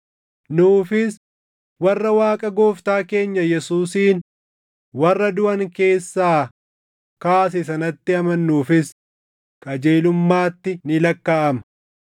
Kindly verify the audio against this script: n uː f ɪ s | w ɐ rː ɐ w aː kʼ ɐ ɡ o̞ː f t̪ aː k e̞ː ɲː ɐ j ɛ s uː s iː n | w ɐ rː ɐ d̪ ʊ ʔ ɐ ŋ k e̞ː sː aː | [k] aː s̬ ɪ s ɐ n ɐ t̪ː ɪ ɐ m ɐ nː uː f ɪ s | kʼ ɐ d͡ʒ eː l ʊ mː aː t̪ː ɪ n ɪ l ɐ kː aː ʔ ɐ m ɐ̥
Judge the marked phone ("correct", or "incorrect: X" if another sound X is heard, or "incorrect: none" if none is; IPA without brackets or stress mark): correct